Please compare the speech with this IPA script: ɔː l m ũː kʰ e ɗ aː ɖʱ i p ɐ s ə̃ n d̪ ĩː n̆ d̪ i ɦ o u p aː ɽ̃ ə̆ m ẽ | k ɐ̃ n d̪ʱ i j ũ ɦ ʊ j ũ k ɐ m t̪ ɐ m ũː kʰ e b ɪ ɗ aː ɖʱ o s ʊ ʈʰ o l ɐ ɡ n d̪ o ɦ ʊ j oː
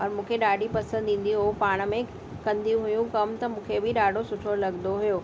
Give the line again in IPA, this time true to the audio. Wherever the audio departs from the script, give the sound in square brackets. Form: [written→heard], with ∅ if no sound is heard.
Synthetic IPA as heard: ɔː [l→ɾ] m ũː kʰ e ɗ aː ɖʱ i p ɐ s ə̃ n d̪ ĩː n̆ d̪ i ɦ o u p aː ɽ̃ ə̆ m ẽ | k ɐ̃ n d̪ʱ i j ũ ɦ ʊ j ũ k ɐ m t̪ ɐ m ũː kʰ e b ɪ ɗ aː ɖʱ o s ʊ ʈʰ o l ɐ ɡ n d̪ o ɦ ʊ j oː